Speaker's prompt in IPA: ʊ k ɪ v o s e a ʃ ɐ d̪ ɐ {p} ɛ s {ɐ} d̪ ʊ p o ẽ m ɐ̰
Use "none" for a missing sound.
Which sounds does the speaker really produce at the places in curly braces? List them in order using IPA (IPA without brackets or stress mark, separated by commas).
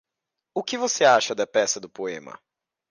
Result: p, ɐ